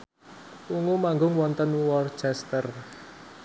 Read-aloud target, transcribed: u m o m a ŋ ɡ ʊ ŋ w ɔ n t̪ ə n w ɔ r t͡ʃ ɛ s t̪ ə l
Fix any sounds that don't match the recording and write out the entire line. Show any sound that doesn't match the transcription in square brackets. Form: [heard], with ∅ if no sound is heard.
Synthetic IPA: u [ŋ] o m a ŋ ɡ ʊ ŋ w ɔ n t̪ ə n w ɔ r t͡ʃ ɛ s t̪ ə [r]